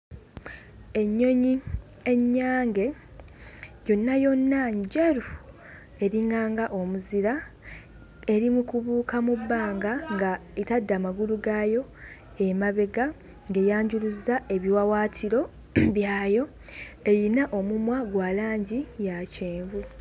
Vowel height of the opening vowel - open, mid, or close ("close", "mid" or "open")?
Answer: mid